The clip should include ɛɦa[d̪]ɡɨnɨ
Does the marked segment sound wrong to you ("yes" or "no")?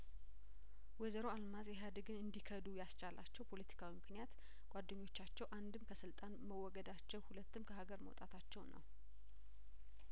no